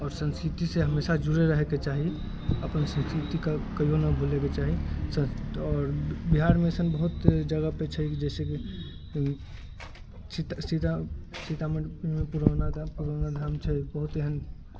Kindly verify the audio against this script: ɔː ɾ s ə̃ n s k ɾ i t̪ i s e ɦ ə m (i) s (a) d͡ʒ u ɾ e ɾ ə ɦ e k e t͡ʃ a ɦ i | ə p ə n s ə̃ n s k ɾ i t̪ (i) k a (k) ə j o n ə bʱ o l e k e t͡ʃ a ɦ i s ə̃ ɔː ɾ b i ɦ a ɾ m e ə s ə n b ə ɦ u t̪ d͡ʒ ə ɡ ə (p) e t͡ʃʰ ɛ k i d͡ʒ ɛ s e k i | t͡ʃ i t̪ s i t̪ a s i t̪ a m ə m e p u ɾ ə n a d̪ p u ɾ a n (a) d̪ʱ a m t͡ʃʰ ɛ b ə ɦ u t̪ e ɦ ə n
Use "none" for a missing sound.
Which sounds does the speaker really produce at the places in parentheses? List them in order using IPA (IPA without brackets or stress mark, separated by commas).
e, a, i, k, p, a